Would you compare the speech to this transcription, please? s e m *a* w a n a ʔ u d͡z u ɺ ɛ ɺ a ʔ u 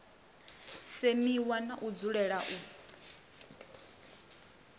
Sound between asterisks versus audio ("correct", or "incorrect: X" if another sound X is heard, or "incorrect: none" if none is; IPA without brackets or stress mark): incorrect: i